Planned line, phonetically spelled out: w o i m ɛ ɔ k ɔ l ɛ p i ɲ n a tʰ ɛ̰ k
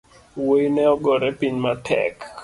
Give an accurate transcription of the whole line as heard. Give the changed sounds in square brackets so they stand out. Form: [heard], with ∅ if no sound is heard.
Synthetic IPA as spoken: w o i [n] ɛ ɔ [ɡ] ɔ [ɾ] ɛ p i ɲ [m] a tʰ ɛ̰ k

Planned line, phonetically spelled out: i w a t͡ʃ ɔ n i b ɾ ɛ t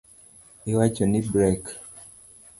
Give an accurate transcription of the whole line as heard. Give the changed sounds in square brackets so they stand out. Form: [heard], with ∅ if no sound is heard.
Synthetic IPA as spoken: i w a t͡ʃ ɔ n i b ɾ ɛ [k]

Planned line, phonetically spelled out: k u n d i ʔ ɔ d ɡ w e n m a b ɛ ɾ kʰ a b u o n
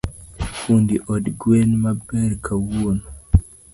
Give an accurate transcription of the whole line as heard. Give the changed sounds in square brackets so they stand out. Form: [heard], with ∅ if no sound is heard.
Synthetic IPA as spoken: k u n d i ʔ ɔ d ɡ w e n m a b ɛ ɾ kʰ a [w] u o n

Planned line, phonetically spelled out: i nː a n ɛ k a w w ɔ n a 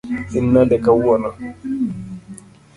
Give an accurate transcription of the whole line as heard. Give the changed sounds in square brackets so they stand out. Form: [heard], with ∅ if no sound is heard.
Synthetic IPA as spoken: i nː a [d] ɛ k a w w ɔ n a

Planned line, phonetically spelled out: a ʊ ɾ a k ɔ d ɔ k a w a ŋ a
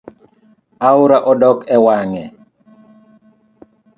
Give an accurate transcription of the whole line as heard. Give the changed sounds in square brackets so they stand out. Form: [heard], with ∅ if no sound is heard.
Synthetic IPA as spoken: a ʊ ɾ a [ʔ] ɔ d ɔ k [ɛ] w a ŋ [ɛ]

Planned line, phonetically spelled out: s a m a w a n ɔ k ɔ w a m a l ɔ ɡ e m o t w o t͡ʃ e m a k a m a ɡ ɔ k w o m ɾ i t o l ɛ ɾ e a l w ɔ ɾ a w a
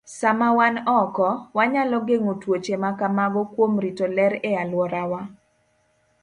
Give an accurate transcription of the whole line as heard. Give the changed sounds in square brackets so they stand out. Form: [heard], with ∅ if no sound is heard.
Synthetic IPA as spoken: s a m a w a n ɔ k ɔ w a [ɲ] a l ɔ ɡ e [ŋ] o t w o t͡ʃ e m a k a m a ɡ ɔ k w o m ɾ i t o l ɛ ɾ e a l w ɔ ɾ a w a

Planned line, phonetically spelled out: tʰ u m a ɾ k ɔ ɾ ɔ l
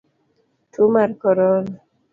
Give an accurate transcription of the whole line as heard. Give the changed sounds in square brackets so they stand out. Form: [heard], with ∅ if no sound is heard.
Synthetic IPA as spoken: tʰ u m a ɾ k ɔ ɾ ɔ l

